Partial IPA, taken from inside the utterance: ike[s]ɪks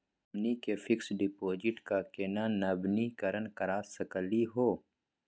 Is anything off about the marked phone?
yes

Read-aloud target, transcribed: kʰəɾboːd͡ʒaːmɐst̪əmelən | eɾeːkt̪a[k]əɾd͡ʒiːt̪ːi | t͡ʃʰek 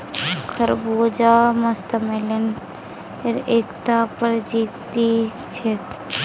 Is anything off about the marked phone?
yes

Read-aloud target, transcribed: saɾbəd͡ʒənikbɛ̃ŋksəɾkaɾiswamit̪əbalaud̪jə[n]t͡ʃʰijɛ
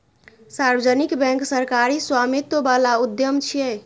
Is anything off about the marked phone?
yes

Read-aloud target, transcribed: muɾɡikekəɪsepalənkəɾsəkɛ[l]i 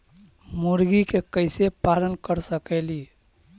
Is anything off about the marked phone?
no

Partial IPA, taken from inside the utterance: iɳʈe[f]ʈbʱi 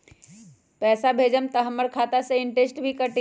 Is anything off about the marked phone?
yes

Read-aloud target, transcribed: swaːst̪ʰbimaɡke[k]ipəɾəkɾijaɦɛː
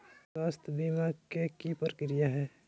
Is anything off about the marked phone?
no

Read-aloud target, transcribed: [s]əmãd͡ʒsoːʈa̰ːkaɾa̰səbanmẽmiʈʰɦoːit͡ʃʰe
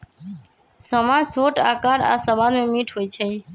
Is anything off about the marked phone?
no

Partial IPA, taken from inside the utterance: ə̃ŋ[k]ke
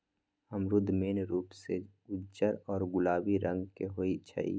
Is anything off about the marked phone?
yes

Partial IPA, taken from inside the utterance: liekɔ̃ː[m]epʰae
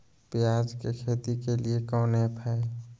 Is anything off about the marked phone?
yes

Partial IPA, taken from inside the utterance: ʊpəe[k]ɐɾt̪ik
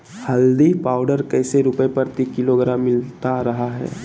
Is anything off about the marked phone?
yes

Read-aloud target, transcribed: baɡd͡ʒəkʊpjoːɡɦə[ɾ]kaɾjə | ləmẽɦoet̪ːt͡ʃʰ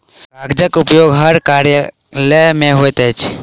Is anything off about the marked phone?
no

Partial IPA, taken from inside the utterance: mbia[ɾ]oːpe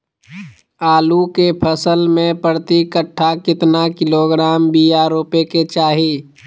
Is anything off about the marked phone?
no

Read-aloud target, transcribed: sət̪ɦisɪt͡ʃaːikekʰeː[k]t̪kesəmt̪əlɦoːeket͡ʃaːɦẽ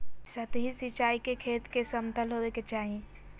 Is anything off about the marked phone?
yes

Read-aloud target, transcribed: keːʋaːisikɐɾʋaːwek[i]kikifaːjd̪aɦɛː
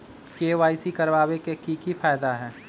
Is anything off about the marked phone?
yes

